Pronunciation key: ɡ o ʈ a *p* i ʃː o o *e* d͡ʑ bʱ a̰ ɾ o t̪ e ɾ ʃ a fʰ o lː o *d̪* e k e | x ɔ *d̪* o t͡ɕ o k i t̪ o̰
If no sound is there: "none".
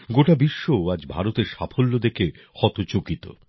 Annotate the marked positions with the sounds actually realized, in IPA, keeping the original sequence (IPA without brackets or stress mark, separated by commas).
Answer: b, a, d̪, t̪